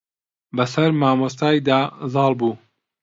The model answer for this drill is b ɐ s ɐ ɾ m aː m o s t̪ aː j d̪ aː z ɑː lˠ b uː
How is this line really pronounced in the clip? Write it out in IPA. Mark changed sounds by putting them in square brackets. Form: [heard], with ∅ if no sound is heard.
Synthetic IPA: b ɐ s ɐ ɾ m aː m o s t̪ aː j d̪ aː z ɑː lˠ b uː